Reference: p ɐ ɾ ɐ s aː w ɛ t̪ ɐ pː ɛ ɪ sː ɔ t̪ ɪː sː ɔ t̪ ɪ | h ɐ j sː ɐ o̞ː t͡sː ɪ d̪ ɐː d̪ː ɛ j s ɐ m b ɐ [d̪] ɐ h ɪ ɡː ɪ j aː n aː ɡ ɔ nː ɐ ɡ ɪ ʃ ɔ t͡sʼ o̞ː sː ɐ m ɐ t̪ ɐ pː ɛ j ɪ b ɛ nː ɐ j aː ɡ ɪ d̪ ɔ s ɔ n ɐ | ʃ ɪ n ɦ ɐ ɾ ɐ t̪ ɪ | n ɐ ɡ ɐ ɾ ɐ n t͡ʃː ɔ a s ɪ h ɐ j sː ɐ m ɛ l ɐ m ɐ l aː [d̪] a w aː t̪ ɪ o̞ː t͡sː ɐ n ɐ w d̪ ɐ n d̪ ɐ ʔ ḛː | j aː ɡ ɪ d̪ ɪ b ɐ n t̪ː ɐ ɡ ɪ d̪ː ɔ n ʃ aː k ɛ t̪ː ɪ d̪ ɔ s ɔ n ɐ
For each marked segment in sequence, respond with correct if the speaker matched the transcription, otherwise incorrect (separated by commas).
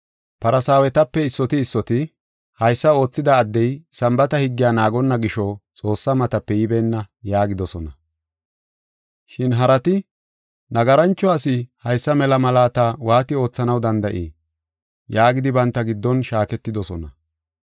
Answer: incorrect, incorrect